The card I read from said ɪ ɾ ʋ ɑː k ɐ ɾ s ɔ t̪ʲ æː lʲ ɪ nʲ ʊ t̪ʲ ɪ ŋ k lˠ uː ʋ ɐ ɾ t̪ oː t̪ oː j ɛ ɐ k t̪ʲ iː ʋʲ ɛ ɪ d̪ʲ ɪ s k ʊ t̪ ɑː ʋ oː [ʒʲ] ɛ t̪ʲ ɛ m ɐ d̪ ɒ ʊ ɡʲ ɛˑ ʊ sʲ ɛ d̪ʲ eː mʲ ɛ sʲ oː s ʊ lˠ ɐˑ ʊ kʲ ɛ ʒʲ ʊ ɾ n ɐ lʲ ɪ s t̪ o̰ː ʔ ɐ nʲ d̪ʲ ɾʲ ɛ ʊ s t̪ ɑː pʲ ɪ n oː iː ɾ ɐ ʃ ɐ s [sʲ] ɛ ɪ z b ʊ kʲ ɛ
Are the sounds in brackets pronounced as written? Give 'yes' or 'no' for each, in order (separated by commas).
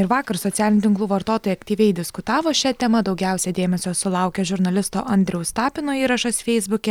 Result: no, no